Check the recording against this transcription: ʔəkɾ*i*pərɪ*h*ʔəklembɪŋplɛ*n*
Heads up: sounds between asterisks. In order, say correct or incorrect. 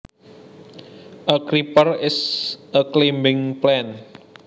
correct, incorrect, correct

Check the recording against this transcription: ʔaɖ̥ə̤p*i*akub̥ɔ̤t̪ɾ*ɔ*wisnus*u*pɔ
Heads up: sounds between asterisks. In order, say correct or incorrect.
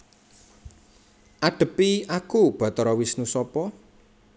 correct, correct, incorrect

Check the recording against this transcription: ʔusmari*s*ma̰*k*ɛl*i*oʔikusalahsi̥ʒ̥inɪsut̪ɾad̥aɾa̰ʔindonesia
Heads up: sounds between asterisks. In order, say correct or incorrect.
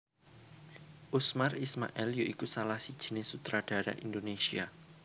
correct, incorrect, incorrect

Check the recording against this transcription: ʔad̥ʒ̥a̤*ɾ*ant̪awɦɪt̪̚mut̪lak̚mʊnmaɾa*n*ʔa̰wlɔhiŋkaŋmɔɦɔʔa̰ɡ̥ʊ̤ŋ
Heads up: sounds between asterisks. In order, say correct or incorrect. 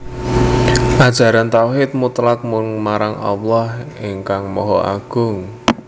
correct, incorrect

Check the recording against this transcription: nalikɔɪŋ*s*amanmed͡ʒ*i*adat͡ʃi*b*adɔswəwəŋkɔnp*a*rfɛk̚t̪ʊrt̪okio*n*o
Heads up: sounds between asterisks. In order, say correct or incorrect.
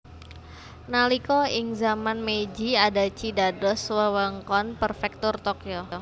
incorrect, correct, incorrect, incorrect, incorrect

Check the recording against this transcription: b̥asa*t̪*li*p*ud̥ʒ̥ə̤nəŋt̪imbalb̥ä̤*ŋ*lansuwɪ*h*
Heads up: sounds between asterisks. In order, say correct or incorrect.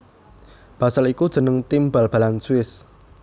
incorrect, incorrect, incorrect, incorrect

